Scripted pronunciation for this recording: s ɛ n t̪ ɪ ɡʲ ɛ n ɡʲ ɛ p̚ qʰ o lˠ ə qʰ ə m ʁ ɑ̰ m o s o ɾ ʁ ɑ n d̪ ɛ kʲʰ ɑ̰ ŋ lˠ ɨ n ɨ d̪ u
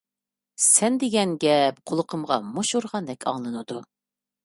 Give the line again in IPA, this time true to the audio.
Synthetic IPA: s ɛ n d̪ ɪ ɡʲ ɛ n ɡʲ ɛ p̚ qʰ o lˠ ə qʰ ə m ʁ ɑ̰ m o ʃ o ɾ ʁ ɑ n d̪ ɛ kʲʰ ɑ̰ ŋ lˠ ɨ n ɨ d̪ u